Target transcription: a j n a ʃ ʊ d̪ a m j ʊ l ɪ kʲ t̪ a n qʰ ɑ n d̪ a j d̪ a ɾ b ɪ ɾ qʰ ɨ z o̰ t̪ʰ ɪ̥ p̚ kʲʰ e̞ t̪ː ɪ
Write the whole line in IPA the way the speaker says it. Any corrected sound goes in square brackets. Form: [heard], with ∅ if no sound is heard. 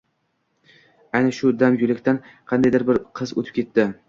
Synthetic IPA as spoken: a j n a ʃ ʊ d̪ a m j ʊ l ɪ kʲ t̪ a n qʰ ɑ n d̪ a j d̪ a ɾ b ɪ ɾ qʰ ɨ z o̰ t̪ʰ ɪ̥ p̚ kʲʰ e̞ t̪ː ɪ